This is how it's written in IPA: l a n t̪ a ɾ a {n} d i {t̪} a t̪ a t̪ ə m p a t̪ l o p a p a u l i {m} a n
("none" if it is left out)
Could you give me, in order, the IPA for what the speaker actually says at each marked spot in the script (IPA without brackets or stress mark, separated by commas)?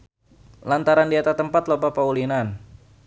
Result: n, none, n